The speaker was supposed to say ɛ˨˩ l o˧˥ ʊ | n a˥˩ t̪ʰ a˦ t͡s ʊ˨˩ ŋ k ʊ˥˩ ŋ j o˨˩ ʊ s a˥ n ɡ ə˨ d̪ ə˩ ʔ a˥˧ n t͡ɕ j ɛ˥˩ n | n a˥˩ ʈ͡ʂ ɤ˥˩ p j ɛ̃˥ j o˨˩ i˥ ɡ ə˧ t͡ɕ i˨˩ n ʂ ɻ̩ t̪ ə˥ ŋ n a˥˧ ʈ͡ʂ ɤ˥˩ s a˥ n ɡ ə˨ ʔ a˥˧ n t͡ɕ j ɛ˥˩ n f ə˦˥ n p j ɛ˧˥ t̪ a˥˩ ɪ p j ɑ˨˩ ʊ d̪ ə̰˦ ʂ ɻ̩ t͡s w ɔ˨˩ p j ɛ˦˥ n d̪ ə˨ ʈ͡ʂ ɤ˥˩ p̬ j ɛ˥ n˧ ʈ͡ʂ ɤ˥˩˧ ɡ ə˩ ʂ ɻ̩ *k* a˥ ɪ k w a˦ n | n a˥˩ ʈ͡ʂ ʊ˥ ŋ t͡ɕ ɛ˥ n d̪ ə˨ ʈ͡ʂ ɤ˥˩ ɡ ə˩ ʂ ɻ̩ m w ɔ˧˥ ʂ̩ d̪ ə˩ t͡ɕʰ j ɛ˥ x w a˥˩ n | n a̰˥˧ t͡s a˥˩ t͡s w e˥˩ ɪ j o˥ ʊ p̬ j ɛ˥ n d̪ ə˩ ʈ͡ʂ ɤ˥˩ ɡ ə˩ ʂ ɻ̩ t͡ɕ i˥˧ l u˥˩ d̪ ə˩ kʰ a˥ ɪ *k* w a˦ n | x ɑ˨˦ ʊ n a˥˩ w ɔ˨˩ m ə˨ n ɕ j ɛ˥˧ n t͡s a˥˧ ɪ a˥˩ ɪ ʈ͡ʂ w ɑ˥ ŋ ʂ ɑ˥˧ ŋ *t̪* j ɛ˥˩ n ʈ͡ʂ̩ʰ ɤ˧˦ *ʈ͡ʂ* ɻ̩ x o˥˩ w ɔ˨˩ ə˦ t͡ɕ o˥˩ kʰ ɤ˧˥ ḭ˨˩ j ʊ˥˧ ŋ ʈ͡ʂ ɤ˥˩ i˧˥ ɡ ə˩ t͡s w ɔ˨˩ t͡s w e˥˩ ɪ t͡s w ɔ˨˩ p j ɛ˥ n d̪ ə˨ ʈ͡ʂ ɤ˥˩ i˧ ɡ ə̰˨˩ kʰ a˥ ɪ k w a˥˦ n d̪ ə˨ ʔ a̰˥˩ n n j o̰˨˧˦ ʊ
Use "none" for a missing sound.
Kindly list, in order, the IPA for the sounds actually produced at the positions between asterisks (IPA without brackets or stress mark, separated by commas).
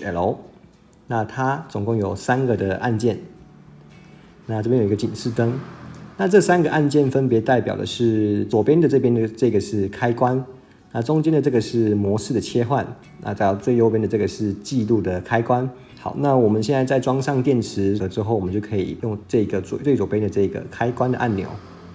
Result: kʰ, k, t̪, ʈ͡ʂ